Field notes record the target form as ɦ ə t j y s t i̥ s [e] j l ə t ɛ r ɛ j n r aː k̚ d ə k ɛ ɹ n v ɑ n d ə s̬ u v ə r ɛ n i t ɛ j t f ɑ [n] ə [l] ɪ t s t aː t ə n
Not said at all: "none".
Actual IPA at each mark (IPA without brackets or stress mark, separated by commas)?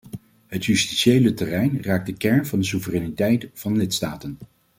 e, n, l